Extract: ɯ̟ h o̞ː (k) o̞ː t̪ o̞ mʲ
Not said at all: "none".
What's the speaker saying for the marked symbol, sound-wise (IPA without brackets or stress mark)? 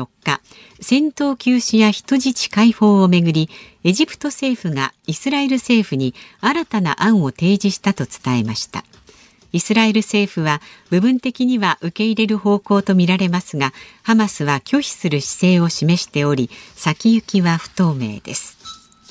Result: k